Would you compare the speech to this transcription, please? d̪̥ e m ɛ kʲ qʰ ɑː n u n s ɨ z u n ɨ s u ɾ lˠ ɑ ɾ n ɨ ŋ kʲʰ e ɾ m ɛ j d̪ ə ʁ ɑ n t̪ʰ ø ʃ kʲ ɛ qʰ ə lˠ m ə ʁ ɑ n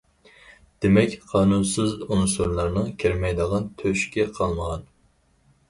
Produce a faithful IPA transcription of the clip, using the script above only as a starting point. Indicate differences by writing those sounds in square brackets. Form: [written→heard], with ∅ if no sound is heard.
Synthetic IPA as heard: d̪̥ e m ɛ kʲ qʰ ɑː n u n s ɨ z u n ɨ s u ɾ lˠ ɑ ɾ n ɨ ŋ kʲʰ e ɾ m ɛ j d̪ ə ʁ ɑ n t̪ʰ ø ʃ kʲ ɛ qʰ [ə→ɑ] lˠ m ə ʁ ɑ n